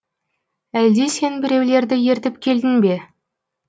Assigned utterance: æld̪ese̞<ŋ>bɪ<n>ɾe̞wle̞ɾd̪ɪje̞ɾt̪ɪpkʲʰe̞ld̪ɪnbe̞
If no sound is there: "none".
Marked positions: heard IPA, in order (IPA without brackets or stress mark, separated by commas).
n, none